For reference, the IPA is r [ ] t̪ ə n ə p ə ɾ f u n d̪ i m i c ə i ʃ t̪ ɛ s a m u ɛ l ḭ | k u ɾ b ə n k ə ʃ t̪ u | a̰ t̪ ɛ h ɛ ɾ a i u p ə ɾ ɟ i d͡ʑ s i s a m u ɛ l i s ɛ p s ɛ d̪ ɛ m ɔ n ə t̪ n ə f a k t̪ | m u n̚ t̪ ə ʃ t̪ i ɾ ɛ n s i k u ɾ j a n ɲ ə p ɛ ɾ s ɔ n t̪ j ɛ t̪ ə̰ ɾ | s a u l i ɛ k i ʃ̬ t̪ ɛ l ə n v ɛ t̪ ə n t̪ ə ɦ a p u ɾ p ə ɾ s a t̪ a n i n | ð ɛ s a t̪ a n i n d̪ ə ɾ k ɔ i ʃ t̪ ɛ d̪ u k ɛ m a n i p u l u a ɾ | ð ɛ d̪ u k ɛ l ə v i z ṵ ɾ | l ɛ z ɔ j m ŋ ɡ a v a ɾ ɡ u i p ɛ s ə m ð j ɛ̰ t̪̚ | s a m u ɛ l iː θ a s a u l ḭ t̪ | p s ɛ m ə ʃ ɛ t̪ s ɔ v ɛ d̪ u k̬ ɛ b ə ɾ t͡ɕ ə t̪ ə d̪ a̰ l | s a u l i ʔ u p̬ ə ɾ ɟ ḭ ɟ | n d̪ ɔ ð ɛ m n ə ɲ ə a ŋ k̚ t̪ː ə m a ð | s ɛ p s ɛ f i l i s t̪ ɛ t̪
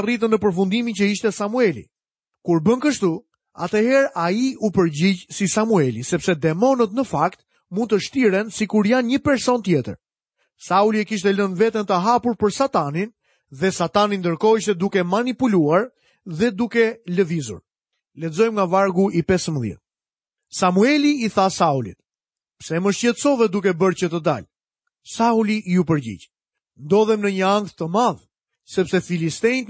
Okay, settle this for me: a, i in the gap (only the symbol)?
i